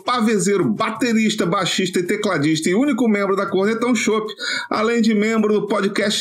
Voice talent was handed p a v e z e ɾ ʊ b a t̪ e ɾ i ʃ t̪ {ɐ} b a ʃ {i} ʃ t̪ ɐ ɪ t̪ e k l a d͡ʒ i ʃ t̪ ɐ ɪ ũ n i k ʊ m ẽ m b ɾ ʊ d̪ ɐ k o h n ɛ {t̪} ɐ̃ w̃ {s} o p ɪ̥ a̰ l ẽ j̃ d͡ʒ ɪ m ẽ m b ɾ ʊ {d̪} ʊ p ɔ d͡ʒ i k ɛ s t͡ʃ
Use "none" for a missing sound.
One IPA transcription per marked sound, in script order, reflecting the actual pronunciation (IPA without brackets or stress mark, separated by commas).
ɐ, i, t̪, ʃ, d̪